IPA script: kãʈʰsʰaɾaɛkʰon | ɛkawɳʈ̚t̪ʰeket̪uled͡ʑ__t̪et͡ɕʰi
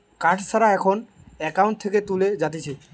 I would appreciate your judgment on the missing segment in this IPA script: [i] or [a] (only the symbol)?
a